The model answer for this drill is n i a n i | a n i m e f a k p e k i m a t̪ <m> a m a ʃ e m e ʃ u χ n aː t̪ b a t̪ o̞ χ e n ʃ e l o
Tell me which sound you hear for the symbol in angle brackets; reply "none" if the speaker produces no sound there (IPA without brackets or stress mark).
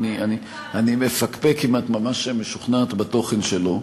m